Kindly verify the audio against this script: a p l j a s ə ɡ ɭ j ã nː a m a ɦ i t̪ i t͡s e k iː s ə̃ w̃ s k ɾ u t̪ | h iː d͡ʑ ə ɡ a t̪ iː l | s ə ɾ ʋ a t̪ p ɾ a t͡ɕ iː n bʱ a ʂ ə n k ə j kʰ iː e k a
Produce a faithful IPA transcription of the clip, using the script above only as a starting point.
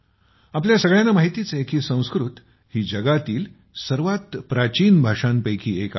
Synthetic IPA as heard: a p l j a s ə ɡ ɭ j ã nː a m a ɦ i t̪ i t͡s e k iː s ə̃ w̃ s k ɾ u t̪ | h iː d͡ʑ ə ɡ a t̪ iː l | s ə ɾ ʋ a t̪ p ɾ a t͡ɕ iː n bʱ a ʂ a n p ə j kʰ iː e k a